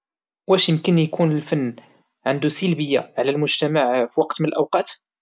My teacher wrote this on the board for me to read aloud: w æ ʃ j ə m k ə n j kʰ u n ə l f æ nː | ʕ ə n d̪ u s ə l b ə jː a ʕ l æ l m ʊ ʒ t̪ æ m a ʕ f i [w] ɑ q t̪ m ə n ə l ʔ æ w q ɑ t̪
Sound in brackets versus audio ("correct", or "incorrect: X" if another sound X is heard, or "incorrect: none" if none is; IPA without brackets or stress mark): correct